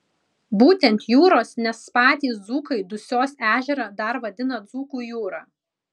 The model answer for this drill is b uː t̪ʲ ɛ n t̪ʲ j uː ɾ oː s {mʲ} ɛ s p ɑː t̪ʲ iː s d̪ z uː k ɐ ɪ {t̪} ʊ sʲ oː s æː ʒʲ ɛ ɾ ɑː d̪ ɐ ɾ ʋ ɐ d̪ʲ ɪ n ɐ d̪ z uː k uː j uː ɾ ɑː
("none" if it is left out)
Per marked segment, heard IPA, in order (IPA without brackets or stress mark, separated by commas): nʲ, d̪